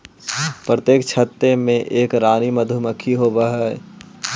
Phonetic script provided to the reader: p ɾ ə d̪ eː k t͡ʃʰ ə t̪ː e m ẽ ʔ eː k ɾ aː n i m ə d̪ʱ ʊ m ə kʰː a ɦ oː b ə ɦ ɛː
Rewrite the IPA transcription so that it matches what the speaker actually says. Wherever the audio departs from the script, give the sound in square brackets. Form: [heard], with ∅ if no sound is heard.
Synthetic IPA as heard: p ɾ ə [t̪] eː k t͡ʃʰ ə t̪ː e m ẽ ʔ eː k ɾ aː n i m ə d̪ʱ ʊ m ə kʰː [i] ɦ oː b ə ɦ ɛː